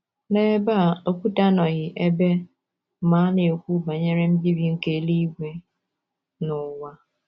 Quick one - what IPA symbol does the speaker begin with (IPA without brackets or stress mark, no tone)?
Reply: n